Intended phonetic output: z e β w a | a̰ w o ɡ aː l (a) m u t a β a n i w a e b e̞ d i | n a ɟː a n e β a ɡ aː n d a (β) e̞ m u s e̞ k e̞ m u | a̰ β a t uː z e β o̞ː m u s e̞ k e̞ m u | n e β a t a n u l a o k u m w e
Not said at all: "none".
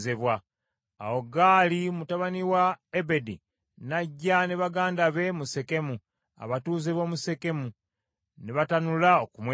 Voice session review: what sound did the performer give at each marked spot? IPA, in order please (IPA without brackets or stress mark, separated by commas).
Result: i, β